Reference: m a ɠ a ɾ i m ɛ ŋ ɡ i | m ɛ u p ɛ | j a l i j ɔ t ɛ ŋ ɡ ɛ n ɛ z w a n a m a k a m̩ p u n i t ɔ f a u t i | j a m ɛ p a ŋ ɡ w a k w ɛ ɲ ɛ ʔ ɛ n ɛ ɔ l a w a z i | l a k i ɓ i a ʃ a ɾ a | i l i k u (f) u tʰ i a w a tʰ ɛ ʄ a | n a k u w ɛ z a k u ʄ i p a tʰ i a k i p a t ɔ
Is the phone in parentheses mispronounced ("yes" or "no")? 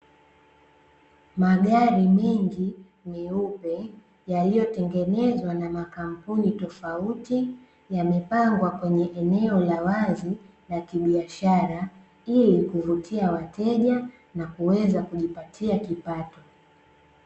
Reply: yes